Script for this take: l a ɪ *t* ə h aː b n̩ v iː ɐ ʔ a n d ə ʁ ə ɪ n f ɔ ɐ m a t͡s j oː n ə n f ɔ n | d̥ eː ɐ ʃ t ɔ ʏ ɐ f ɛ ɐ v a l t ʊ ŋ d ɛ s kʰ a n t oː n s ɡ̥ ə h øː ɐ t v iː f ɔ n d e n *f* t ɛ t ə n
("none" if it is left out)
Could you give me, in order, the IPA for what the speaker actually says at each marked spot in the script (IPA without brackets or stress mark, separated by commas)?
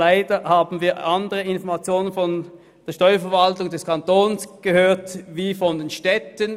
d, ʃ